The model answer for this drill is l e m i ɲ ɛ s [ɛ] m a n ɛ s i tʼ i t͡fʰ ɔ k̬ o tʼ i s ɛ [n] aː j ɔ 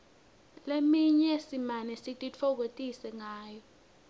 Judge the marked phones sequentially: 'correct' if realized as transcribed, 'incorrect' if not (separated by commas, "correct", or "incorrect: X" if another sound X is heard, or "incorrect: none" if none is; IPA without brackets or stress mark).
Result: incorrect: i, incorrect: ŋ